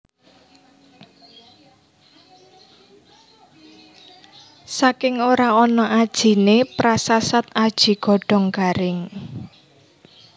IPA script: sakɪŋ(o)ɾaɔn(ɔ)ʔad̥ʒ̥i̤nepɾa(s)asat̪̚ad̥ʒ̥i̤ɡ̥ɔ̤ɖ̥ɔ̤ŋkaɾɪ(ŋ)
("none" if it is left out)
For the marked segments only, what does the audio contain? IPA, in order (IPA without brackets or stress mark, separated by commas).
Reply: o, ɔ, s, ŋ